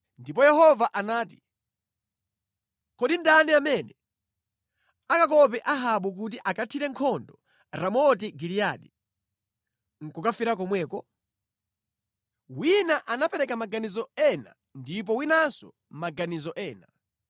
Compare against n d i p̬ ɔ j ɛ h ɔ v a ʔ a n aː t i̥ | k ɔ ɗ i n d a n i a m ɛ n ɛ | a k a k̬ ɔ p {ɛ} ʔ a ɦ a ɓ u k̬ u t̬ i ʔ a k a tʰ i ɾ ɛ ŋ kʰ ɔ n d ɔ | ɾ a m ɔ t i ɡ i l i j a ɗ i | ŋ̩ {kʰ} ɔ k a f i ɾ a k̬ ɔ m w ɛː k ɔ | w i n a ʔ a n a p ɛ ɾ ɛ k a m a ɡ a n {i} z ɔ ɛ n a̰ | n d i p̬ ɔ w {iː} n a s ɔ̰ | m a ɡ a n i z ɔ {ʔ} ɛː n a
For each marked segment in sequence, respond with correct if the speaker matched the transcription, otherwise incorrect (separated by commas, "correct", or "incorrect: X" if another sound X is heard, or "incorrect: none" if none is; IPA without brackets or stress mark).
correct, incorrect: k, correct, incorrect: i, correct